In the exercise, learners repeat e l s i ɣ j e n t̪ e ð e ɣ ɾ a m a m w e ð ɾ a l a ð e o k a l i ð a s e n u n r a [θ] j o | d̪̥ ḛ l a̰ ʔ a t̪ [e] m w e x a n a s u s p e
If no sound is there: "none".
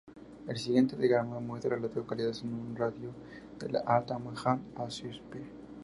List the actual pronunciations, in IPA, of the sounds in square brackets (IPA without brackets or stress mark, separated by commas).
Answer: ð, a